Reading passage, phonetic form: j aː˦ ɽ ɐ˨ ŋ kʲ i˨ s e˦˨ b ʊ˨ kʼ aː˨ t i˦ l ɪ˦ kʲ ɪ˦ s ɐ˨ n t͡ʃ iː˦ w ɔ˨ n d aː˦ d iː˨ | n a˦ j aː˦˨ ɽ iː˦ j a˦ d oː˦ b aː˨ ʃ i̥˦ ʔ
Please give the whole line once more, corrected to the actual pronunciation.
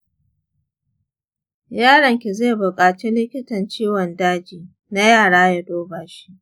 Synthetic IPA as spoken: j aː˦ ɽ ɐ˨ ŋ kʲ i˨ z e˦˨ b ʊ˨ kʼ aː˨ t͡ʃ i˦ l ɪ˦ kʲ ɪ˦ t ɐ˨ n t͡ʃ iː˦ w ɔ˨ n d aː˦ d͡ʒ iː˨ | n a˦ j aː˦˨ ɽ aː˦ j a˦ d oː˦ b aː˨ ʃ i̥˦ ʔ

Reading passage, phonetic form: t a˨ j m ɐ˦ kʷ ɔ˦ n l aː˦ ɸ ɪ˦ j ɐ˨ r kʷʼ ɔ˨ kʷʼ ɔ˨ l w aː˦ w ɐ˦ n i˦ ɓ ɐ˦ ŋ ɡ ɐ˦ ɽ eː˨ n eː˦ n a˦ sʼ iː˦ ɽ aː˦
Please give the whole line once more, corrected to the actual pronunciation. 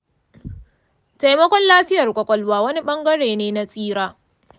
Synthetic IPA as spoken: t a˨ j m ɐ˦ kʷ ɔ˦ n l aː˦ ɸ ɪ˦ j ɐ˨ r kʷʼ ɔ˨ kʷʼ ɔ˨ l w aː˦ w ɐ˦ n i˦ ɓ ɐ˦ ŋ ɡ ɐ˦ ɽ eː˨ n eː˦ n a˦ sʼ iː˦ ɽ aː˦

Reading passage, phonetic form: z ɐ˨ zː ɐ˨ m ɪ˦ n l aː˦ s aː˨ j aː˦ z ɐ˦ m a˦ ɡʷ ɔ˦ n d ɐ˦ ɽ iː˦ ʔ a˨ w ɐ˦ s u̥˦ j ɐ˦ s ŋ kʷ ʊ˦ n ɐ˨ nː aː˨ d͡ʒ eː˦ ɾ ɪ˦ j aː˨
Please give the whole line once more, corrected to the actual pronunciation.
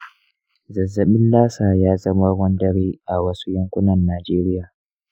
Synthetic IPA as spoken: z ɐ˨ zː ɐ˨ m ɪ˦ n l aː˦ s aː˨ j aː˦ z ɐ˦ m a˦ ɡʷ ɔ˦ n d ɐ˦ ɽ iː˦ ʔ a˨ w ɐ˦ s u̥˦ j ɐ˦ ŋ kʷ ʊ˦ n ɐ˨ nː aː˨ d͡ʒ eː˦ ɾ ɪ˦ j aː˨

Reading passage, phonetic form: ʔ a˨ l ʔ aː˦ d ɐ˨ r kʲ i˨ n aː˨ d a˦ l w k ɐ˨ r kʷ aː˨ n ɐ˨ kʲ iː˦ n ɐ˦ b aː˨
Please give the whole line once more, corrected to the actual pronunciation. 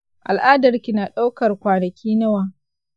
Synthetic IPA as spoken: ʔ a˨ l ʔ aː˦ d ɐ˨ r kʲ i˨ n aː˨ ɗ a˦ w k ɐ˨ r kʷ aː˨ n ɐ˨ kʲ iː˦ n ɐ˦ w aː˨

